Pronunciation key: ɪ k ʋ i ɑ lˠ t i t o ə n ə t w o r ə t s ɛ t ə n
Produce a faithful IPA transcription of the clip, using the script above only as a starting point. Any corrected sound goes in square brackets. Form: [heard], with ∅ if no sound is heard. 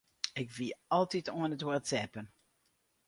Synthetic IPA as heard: ɪ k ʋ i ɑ lˠ t i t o ə n ə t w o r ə t s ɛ [p] ə n